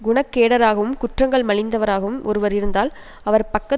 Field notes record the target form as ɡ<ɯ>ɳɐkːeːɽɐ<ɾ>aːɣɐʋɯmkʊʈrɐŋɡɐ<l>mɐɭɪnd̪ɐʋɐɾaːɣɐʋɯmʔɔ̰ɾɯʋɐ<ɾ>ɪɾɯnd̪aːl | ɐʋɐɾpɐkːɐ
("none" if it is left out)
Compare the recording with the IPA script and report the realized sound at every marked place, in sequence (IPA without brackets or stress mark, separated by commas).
ʊ, ɾ, ɭ, ɾ